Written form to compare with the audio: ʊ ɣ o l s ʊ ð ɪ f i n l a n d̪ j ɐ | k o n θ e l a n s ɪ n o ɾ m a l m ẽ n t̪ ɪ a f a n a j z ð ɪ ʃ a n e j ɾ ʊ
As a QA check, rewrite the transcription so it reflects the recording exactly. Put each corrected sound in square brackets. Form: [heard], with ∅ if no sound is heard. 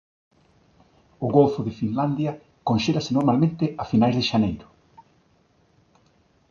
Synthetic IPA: ʊ ɣ o l [f] ʊ ð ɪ f i n l a n d̪ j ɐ | k o n [ʃ] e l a [∅] s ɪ n o ɾ m a l m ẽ n t̪ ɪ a f [i] n a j z ð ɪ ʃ a n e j ɾ ʊ